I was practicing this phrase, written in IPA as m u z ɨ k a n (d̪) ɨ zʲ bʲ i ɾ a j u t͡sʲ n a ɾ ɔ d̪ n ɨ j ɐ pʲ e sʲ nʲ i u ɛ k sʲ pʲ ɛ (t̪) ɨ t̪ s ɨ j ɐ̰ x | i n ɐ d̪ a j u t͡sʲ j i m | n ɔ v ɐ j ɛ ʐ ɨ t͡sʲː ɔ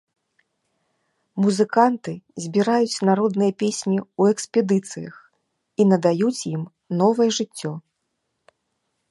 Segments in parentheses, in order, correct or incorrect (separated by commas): incorrect, incorrect